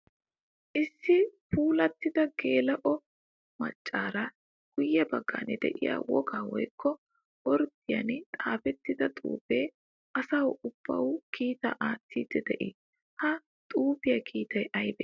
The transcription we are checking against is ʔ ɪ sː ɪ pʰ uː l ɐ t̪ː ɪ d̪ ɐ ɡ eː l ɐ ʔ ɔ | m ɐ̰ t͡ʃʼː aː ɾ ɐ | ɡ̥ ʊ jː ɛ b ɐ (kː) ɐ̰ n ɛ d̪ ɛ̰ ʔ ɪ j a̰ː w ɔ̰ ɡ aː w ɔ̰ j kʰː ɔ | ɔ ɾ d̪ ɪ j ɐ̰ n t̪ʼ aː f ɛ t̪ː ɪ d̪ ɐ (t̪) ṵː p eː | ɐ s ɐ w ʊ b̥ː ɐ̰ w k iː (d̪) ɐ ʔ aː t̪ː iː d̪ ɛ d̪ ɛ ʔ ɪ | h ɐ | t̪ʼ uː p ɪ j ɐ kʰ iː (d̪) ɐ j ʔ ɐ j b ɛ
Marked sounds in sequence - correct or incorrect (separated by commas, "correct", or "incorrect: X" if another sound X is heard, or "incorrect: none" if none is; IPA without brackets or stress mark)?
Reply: incorrect: ɡː, incorrect: t̪ʼ, incorrect: t̪, incorrect: t̪